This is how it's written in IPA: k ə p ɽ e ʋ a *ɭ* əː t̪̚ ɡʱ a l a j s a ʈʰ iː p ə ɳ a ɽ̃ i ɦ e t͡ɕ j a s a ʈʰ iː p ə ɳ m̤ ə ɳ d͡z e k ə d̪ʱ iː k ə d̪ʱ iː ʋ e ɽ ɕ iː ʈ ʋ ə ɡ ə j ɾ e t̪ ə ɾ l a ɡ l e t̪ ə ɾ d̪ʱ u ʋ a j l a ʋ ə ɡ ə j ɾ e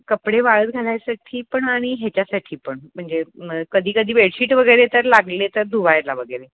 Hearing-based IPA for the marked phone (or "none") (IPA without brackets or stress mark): ɭ